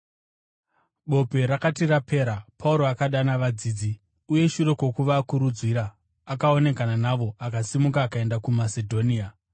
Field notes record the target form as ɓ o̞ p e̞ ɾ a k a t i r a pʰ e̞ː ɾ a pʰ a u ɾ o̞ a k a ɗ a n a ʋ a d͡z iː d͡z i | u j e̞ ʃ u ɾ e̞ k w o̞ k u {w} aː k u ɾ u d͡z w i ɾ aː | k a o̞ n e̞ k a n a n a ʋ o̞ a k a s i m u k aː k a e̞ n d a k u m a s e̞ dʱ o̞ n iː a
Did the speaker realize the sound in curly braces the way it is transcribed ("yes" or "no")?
no